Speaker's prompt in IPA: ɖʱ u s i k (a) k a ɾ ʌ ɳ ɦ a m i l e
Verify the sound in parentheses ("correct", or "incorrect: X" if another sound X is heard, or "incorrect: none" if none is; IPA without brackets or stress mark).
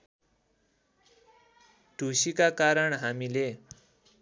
correct